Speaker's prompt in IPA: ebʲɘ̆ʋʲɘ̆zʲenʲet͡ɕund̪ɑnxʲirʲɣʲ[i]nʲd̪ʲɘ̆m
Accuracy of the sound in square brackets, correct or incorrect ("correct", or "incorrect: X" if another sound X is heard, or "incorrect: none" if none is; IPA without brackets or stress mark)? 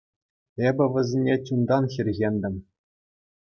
incorrect: e